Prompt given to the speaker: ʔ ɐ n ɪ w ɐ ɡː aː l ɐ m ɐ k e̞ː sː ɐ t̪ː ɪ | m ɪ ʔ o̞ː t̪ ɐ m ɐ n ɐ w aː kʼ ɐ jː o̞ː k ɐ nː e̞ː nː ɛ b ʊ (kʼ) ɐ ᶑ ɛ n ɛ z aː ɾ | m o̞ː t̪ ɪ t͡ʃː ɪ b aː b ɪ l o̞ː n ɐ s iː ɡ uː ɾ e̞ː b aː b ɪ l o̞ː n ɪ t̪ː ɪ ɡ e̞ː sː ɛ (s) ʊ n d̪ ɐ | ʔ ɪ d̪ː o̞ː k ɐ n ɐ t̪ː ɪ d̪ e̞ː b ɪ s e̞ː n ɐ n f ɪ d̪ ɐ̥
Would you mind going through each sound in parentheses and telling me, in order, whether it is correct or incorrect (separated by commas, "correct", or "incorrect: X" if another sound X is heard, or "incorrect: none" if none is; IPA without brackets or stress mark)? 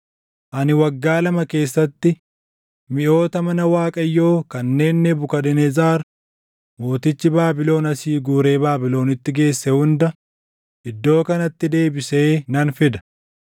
incorrect: k, incorrect: h